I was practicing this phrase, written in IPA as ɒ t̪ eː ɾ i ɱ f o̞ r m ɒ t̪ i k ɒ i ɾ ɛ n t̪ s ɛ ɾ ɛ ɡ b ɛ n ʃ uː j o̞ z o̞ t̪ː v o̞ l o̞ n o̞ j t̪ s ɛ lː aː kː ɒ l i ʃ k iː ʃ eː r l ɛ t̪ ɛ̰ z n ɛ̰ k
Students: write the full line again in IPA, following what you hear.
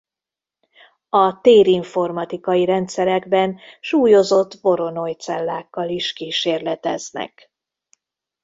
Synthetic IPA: ɒ t̪ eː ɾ i ɱ f o̞ r m ɒ t̪ i k ɒ i ɾ ɛ n t̪ s ɛ ɾ ɛ ɡ b ɛ n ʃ uː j o̞ z o̞ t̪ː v o̞ ɾ o̞ n o̞ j t̪ s ɛ lː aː kː ɒ l i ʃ k iː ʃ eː r l ɛ t̪ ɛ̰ z n ɛ̰ k